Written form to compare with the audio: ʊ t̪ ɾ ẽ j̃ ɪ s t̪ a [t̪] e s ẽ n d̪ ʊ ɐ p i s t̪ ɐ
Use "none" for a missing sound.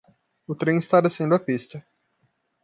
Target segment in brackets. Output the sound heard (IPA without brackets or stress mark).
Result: d̪